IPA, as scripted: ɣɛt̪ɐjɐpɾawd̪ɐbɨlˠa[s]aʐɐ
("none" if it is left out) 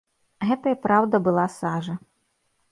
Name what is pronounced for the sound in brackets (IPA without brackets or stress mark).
s